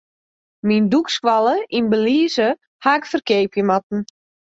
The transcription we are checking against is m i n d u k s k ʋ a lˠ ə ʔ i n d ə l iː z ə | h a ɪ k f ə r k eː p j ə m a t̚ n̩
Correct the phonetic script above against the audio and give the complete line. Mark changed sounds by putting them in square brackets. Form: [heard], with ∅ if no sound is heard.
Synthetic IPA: m i n d u k s k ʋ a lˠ ə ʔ i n [b] ə l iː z ə | h a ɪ k f ə r k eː p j ə m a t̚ n̩

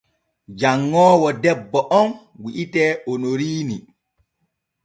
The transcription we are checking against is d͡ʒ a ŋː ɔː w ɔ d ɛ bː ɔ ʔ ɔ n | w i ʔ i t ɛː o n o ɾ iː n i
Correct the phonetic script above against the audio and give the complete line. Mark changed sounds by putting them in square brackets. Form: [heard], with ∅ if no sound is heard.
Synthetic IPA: d͡ʒ a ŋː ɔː w ɔ d ɛ bː ɔ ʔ ɔ n | w i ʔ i t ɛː o n o ɾ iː n i

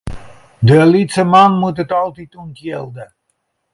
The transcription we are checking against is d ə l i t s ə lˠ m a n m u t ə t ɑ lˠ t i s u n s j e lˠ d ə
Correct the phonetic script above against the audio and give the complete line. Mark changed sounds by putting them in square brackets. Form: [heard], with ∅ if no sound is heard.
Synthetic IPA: d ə l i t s ə [∅] m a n m u t ə t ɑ lˠ t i [t] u n [t] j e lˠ d ə

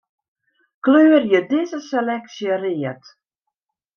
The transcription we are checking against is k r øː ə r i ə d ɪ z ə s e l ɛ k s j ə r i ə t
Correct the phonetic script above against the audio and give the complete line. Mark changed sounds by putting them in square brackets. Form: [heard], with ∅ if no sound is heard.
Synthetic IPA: k [l] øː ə r [j] ə d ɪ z ə s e l ɛ k s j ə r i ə t

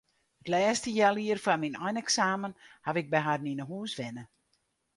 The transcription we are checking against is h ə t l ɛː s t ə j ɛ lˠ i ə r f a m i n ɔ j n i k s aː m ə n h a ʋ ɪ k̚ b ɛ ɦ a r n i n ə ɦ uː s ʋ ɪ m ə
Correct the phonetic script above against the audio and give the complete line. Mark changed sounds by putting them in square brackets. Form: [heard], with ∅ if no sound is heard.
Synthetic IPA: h ə t l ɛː s t ə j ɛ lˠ i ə r f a m i n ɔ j n [ɛ] k s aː m ə n h a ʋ ɪ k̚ b ɛ ɦ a r n i n ə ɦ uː s ʋ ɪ [n] ə

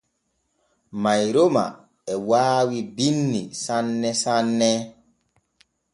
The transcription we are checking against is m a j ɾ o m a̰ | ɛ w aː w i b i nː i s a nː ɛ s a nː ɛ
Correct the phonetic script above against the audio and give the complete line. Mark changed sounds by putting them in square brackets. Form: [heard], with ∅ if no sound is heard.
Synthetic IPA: m a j ɾ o m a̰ | ɛ w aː w i b i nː i s a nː ɛ s a nː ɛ

